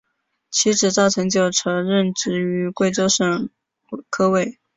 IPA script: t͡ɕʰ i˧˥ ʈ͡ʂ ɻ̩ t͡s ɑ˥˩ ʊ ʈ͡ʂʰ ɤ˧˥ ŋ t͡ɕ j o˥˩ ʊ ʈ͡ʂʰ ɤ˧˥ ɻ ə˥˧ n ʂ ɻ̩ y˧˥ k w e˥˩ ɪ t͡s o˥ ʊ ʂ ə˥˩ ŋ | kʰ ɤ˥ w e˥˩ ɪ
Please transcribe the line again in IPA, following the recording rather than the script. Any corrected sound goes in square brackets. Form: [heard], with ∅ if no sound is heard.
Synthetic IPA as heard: t͡ɕʰ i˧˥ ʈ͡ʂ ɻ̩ t͡s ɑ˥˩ ʊ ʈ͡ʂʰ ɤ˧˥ ŋ t͡ɕ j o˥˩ ʊ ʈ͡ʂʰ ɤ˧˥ ɻ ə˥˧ n [ʈ͡ʂ] ɻ̩ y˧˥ k w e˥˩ ɪ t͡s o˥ ʊ ʂ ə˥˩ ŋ | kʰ ɤ˥ w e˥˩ ɪ